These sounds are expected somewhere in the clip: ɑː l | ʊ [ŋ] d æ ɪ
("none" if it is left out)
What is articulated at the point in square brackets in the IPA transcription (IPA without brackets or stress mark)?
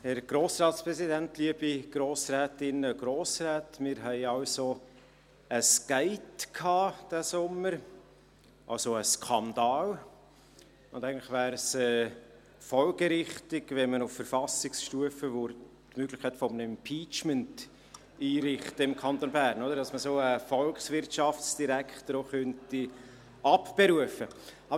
n